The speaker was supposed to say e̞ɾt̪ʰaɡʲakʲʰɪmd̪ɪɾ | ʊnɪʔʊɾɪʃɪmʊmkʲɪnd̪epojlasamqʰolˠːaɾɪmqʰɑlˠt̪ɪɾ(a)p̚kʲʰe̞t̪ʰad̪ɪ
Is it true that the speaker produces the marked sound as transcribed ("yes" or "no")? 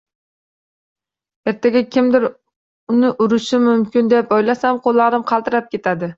yes